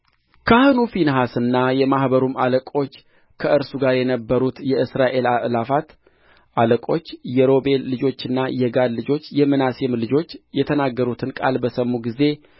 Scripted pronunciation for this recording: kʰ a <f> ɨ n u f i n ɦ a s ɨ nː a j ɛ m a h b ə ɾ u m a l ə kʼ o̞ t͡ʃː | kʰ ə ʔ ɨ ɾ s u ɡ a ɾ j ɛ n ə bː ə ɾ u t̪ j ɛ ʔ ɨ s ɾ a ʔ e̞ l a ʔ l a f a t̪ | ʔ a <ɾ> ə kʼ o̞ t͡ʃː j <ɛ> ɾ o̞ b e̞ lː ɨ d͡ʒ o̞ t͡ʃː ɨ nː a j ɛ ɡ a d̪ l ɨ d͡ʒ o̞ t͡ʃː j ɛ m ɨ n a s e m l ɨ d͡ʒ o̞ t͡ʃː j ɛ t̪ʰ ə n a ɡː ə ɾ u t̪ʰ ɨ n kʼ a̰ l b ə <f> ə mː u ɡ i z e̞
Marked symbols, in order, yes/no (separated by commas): no, no, yes, no